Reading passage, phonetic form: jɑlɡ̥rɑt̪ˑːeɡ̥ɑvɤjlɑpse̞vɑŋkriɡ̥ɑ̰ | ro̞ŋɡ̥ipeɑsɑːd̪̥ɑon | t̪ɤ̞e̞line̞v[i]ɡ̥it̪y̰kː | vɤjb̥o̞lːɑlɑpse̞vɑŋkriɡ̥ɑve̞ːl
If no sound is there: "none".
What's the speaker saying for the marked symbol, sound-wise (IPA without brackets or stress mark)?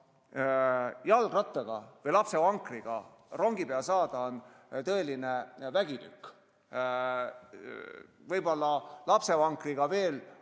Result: æ